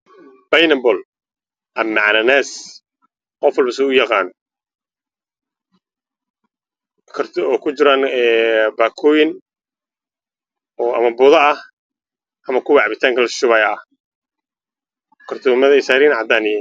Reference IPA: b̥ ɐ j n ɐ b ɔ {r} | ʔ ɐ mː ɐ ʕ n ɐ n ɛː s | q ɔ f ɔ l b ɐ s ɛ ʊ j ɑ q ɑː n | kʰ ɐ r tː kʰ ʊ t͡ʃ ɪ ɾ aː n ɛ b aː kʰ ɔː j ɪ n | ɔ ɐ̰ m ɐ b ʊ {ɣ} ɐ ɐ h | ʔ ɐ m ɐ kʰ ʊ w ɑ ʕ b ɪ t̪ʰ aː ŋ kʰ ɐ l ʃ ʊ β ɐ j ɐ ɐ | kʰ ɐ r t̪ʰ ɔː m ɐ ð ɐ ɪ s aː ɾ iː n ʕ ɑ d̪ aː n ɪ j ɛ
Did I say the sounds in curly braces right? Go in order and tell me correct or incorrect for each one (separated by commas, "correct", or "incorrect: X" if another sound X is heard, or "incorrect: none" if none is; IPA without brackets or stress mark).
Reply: incorrect: l, incorrect: ð